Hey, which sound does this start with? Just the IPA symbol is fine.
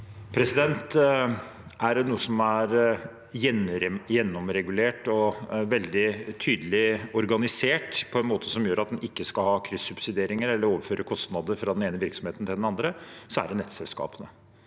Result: pʰ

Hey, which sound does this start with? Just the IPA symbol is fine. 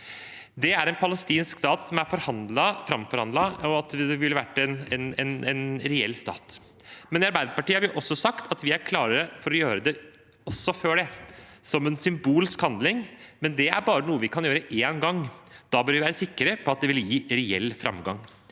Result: d̪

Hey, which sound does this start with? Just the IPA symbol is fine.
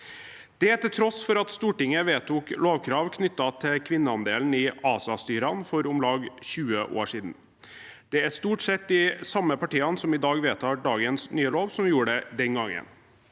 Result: d̪̥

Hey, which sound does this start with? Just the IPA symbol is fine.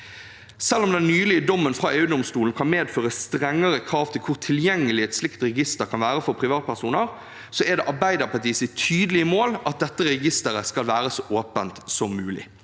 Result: s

